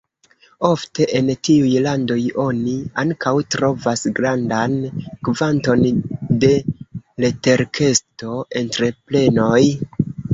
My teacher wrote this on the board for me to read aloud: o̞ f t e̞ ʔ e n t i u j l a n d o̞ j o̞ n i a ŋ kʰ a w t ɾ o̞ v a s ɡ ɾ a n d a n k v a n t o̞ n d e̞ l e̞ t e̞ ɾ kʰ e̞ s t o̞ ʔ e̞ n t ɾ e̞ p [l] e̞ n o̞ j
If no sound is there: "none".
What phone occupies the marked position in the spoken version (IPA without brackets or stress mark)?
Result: l